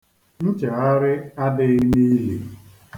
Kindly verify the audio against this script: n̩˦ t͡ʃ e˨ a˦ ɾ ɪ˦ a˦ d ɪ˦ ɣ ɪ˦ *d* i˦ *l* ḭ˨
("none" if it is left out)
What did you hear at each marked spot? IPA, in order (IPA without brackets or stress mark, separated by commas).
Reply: n, l